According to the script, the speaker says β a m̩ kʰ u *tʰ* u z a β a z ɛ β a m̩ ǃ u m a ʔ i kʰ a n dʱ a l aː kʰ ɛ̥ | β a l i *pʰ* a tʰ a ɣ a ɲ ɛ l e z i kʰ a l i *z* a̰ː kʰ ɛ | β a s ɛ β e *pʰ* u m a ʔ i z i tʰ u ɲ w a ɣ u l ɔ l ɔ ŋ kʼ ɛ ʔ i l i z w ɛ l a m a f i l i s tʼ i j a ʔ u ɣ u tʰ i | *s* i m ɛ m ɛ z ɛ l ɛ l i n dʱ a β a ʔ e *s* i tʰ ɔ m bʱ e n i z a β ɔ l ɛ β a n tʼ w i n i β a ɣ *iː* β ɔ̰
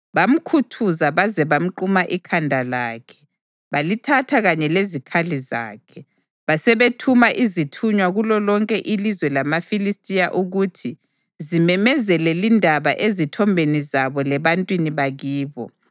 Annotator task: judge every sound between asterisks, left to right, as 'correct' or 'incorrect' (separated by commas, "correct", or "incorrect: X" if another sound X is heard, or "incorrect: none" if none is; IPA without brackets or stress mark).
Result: correct, incorrect: tʰ, correct, incorrect: tʰ, incorrect: z, incorrect: z, correct